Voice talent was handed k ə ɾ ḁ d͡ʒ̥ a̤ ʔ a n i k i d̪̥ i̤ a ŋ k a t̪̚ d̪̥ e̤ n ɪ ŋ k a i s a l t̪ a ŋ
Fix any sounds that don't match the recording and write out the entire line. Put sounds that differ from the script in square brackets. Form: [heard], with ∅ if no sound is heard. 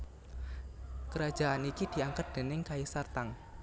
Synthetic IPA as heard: k ə ɾ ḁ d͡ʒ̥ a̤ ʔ a n i k i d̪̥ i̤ a ŋ k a t̪̚ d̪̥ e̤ n ɪ ŋ k a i s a [r] t̪ a ŋ